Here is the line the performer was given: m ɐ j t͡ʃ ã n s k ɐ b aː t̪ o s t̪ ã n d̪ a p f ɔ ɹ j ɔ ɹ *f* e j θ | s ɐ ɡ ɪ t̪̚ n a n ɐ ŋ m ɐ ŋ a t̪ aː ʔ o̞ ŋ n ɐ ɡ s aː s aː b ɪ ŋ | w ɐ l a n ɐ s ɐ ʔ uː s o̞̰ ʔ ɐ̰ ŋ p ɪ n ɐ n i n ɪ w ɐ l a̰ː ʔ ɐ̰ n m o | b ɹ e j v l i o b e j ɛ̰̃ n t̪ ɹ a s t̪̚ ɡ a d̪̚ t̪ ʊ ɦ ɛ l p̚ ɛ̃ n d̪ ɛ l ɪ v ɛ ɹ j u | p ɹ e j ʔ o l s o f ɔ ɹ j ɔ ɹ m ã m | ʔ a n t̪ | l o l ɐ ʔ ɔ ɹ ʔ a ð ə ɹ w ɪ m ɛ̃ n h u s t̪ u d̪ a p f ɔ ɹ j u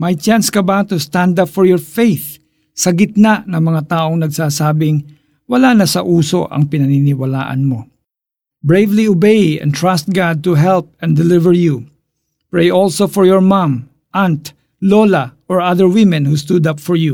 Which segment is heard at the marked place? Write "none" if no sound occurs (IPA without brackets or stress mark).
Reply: f